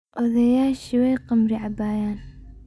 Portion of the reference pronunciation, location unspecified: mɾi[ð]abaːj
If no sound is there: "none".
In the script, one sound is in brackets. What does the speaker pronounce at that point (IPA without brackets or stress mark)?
ʕ